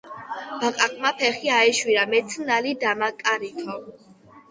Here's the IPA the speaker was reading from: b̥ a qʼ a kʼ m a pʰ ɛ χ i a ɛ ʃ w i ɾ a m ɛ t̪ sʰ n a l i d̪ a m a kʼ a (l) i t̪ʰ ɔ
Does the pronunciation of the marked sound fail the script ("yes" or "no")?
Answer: yes